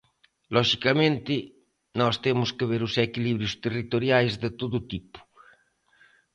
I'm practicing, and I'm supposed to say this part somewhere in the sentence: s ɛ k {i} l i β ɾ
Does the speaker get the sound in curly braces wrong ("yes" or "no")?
no